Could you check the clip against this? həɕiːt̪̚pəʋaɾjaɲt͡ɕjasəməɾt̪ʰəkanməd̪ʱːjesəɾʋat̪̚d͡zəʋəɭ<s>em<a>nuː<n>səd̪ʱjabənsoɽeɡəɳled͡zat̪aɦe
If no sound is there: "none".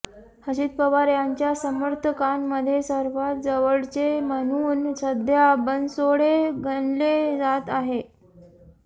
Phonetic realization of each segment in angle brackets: t͡s, ə, n

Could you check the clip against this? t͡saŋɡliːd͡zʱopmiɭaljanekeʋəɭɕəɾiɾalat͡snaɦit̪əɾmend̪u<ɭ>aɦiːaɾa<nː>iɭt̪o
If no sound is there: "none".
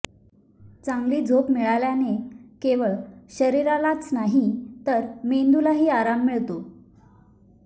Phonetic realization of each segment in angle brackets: l, mː

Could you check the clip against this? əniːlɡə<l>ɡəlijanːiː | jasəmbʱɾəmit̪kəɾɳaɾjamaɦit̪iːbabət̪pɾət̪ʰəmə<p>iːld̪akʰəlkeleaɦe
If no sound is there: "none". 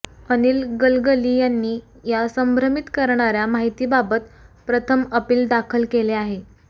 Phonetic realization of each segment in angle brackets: l, p

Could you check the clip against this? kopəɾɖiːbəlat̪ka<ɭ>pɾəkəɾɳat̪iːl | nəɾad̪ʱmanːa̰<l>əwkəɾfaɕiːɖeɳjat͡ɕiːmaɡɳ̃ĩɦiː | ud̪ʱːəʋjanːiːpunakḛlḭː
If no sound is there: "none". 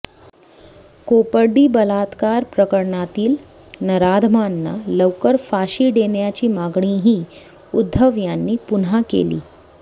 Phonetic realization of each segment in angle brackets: ɾ, l

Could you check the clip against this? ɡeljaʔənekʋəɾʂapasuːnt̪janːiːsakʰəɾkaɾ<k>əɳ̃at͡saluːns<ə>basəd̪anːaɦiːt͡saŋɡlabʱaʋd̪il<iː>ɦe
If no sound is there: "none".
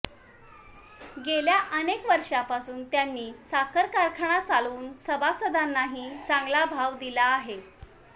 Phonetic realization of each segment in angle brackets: kʰ, ə, aː

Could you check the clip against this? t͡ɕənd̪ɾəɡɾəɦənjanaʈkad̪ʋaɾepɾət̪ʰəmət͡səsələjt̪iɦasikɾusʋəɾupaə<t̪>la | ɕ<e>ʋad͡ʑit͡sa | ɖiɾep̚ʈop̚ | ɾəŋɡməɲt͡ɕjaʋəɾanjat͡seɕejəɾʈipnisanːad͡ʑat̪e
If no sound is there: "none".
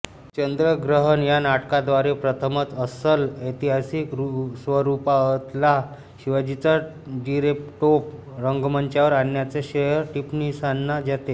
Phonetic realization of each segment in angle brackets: t̪, i

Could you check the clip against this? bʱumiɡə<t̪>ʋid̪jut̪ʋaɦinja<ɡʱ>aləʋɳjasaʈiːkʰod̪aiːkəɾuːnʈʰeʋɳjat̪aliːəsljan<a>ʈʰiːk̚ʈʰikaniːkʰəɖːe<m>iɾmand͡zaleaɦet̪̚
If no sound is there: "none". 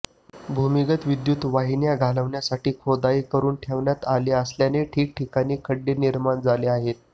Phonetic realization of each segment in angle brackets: t̪, ɡʱ, e, n

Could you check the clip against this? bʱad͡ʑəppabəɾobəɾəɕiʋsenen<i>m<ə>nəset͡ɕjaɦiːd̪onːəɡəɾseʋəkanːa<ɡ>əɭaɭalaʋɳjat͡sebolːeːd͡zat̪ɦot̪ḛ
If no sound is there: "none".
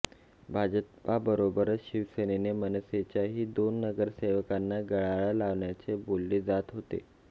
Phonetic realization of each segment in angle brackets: e, ə, ɡ

